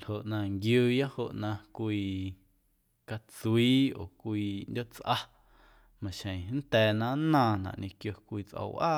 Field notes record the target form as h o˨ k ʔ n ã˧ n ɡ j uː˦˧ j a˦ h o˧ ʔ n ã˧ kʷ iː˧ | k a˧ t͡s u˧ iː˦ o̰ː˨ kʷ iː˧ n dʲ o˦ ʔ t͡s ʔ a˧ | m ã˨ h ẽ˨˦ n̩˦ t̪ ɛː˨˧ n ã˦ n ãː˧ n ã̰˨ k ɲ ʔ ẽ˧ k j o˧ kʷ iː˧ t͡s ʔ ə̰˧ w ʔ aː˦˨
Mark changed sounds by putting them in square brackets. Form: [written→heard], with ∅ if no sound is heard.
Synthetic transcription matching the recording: h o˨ [k→∅] ʔ n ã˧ [n→ŋ] ɡ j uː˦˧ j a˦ h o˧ ʔ n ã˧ kʷ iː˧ | k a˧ t͡s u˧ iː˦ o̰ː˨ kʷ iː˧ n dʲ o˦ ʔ t͡s ʔ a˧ | m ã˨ [h→ʃ] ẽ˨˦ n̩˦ t̪ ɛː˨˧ n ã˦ n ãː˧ n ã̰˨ [k→ʔ] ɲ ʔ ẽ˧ k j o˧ kʷ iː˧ t͡s ʔ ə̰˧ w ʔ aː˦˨